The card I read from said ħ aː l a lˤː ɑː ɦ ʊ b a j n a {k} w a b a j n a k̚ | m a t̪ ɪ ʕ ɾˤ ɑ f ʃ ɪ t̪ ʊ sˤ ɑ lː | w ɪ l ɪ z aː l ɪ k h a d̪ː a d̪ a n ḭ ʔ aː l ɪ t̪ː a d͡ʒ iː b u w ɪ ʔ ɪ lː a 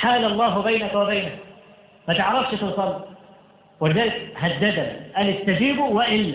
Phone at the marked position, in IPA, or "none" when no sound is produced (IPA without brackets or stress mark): k